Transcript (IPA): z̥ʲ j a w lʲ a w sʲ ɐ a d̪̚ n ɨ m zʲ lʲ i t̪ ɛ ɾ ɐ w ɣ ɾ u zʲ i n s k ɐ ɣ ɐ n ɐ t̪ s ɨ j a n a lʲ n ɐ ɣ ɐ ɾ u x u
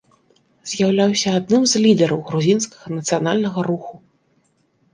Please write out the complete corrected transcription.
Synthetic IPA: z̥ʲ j a w lʲ a w sʲ ɐ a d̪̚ n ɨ m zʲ lʲ i d̪ ɛ ɾ ɐ w ɣ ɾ u zʲ i n s k ɐ ɣ ɐ n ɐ t̪ s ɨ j a n a lʲ n ɐ ɣ ɐ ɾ u x u